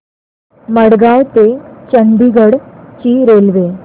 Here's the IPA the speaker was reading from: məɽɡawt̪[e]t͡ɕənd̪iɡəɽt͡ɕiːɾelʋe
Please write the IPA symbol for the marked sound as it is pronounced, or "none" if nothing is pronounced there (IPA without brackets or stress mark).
e